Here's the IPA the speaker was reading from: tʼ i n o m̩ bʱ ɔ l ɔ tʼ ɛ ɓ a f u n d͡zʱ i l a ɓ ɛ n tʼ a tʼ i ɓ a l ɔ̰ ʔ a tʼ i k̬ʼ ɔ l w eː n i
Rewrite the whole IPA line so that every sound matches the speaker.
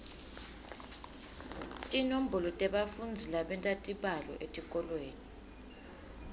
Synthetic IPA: tʼ i n o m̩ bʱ ɔ l ɔ tʼ ɛ ɓ a f u n d͡zʱ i l a ɓ ɛ n tʼ a tʼ i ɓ a l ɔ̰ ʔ e tʼ i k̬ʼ ɔ l w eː n i